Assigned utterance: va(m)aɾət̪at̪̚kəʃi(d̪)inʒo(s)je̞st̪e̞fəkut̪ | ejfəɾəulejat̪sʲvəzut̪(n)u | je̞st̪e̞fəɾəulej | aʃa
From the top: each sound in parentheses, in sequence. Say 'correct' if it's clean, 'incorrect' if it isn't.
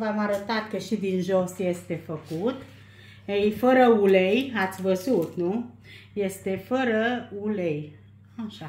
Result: correct, correct, correct, correct

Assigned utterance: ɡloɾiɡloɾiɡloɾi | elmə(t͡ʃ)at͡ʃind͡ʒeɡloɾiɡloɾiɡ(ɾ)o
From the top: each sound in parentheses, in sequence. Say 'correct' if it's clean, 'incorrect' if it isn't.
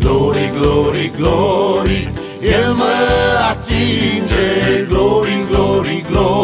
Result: incorrect: none, incorrect: l

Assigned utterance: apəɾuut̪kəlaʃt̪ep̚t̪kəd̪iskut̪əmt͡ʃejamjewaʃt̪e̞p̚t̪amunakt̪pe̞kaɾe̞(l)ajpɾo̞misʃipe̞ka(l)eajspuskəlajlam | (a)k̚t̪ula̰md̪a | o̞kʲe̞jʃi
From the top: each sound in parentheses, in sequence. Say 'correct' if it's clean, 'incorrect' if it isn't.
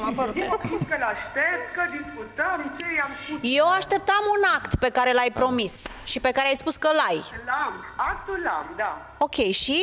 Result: correct, incorrect: ɾ, correct

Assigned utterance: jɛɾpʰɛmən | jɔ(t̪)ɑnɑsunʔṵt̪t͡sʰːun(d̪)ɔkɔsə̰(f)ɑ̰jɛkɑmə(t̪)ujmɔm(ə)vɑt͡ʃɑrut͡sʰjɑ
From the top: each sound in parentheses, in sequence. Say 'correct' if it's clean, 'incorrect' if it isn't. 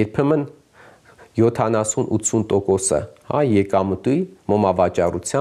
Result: incorrect: t̪ʰ, incorrect: t̪, incorrect: h, correct, incorrect: ɑ

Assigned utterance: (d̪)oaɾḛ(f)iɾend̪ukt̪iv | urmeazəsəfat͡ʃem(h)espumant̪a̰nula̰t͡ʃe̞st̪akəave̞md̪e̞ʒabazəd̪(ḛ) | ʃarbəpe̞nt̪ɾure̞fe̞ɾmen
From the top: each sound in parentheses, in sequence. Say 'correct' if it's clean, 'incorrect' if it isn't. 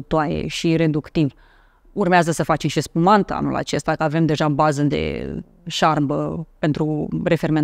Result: incorrect: t̪, incorrect: ʃ, incorrect: ʃ, correct

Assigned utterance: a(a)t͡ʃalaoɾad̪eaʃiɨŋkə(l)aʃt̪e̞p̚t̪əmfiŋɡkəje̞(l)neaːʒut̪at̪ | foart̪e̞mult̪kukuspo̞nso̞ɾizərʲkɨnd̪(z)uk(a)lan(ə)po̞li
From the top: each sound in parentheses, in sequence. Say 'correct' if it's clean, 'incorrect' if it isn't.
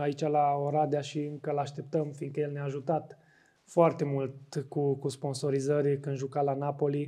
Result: incorrect: i, correct, correct, incorrect: ʒ, correct, incorrect: a

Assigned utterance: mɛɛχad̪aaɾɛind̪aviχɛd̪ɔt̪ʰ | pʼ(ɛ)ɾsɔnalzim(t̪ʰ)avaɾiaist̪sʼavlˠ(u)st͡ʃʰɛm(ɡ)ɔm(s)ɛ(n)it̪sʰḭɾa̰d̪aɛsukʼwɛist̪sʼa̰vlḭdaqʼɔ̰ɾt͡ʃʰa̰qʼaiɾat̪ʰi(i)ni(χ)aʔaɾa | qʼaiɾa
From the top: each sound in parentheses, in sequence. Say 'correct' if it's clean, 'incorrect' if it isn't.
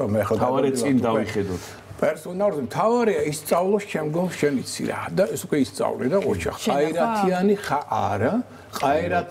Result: correct, correct, incorrect: ɔ, correct, incorrect: ʃ, correct, incorrect: a, correct

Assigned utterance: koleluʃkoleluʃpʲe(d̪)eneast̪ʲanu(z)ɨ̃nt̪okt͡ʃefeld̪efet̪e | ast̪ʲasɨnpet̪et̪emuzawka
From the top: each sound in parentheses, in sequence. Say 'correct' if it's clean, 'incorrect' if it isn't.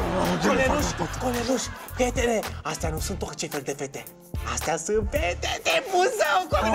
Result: incorrect: t̪, incorrect: s

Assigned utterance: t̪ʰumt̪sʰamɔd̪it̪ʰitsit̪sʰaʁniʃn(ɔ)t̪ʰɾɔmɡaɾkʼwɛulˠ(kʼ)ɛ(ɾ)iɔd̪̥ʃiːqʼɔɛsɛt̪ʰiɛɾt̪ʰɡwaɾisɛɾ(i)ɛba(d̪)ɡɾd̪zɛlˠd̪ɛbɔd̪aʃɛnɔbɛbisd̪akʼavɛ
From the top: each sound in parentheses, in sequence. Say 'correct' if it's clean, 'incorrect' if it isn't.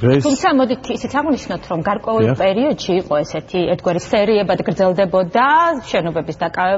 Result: correct, incorrect: pʼ, correct, correct, correct

